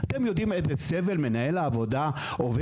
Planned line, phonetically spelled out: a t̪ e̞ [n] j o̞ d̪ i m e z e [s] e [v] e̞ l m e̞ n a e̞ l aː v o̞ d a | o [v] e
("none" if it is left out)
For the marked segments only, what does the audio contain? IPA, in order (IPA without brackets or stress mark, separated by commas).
m, s, v, v